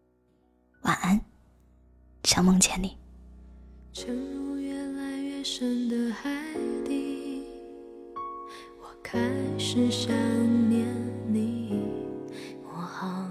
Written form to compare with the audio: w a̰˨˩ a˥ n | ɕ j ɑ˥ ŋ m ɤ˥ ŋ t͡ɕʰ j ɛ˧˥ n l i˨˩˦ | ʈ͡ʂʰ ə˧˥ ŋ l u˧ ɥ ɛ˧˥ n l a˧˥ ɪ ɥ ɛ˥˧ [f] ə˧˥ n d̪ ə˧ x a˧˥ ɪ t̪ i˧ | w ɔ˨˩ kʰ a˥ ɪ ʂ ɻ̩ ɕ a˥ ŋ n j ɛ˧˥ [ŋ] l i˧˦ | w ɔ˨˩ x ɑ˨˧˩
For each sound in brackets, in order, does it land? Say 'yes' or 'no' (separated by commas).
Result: no, no